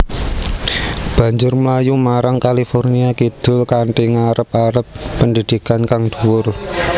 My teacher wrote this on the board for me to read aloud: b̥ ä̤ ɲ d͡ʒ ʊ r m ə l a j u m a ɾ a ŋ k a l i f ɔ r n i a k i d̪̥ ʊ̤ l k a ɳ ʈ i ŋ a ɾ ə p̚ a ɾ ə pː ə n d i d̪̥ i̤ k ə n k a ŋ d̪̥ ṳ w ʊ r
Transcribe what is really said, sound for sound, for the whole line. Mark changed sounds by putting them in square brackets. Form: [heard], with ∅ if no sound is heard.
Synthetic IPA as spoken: b̥ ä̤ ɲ d͡ʒ ʊ r m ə l a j u m a ɾ a ŋ k a l i f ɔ r n i a k i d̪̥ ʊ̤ l k a ɳ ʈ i ŋ a ɾ ə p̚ a ɾ ə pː ə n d i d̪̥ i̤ k [a] n k a ŋ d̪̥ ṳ w ʊ r